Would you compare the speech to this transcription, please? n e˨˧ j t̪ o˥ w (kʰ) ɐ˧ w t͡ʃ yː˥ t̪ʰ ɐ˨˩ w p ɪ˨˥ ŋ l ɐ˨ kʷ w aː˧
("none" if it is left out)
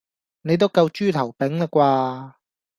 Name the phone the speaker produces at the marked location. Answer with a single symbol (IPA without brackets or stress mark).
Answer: k